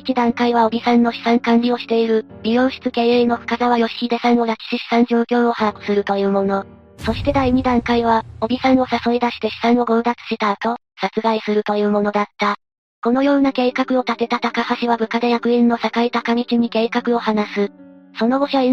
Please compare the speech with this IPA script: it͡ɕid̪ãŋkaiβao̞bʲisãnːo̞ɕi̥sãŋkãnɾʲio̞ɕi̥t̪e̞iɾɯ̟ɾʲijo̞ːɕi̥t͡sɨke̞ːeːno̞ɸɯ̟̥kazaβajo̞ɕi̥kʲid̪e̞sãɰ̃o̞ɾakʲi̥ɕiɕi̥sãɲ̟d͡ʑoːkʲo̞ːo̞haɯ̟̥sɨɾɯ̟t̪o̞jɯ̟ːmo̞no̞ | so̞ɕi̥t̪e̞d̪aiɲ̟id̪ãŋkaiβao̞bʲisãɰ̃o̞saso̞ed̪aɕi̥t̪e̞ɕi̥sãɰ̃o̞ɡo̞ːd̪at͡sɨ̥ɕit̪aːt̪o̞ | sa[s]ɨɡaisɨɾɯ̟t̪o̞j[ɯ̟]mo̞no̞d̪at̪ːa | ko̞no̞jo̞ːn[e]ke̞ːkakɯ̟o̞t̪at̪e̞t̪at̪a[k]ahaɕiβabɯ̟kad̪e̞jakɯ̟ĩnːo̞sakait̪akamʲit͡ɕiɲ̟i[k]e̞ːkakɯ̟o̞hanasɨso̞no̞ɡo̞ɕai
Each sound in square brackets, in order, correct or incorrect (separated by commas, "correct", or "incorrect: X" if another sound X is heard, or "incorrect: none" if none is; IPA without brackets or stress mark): incorrect: t͡s, incorrect: ɯ̟ː, incorrect: a, correct, correct